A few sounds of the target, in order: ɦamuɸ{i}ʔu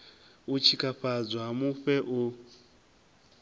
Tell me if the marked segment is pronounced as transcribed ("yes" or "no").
no